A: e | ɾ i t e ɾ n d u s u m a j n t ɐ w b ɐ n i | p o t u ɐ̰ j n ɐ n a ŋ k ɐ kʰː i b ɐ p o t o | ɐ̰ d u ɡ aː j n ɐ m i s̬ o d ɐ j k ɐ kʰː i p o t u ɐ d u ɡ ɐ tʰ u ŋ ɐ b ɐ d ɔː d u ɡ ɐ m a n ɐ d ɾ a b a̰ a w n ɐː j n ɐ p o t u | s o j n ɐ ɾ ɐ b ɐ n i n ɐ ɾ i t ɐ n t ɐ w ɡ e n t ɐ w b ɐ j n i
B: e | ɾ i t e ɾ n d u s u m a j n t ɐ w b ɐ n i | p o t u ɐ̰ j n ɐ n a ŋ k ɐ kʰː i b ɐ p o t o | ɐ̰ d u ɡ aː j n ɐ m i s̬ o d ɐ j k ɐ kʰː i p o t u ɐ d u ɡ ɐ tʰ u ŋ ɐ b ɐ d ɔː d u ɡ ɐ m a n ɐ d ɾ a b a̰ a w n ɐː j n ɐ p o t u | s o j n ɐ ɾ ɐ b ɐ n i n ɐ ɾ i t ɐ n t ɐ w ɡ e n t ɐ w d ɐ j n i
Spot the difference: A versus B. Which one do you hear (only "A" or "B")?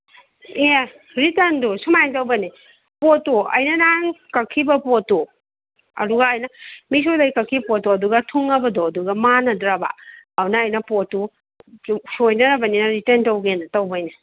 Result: A